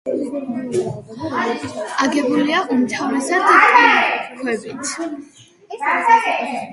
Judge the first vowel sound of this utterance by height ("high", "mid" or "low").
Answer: low